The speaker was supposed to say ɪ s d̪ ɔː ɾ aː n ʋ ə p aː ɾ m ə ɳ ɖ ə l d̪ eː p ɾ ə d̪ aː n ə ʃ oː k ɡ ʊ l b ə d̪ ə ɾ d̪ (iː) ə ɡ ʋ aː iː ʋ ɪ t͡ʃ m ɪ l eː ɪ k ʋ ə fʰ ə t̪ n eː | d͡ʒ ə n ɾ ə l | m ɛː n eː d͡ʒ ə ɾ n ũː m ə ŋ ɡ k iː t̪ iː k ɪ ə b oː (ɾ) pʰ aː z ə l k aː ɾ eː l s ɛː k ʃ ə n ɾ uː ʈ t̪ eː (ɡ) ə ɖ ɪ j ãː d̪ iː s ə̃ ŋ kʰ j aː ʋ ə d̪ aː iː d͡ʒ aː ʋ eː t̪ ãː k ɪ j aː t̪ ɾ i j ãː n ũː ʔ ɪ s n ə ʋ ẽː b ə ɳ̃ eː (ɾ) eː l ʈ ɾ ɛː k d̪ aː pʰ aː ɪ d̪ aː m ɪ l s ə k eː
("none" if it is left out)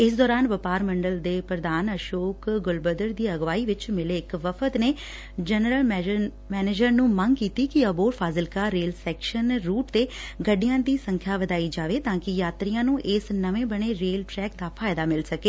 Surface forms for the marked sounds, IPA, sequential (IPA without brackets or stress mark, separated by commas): iː, ɾ, ɡ, ɾ